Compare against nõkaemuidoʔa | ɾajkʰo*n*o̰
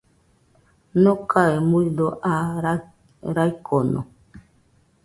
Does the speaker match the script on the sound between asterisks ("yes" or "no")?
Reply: yes